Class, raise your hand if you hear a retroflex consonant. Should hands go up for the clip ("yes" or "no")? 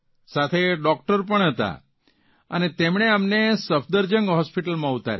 yes